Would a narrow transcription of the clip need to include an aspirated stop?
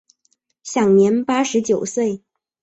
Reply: no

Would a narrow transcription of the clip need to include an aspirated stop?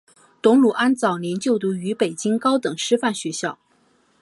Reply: no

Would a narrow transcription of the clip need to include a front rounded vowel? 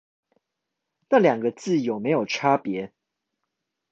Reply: no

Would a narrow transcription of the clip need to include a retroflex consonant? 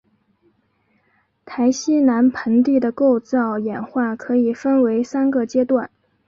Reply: no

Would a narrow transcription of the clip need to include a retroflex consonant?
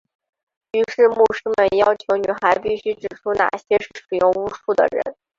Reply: yes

